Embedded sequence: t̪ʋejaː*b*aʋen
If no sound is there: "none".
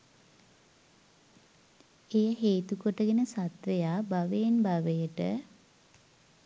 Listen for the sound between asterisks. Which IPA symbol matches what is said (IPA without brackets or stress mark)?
b